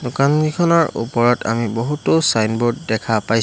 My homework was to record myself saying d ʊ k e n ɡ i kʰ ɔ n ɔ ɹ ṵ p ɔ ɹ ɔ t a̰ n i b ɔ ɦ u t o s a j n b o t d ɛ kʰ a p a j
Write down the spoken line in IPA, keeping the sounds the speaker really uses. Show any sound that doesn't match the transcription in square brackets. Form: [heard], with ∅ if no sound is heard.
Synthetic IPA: d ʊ k [a] n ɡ i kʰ ɔ n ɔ ɹ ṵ p ɔ ɹ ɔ t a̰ [m] i b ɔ ɦ u t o s a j n b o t d ɛ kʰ a p a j